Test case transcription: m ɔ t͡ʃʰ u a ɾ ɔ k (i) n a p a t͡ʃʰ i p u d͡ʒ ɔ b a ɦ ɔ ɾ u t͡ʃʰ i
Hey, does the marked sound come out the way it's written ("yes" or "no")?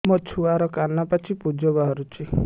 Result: no